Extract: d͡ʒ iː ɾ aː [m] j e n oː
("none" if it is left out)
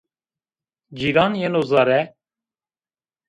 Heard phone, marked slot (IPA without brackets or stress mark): n